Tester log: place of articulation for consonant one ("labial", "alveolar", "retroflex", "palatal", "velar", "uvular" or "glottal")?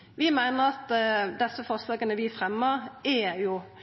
labial